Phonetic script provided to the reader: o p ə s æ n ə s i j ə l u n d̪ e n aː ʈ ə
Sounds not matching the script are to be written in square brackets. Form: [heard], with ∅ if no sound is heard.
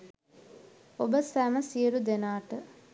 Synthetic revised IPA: o [b] ə s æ [m] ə s i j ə [ɾ] u [∅] d̪ e n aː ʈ ə